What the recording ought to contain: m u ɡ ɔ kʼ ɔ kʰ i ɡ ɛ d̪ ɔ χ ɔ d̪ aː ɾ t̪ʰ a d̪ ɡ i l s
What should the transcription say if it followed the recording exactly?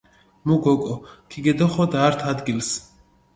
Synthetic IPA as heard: m u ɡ ɔ kʼ ɔ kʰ i ɡ ɛ d̪ ɔ χ ɔ d̪ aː ɾ t̪ʰ a d̪ ɡ i l s